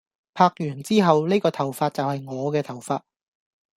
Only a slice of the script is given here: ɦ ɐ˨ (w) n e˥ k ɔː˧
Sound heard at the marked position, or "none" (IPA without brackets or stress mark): w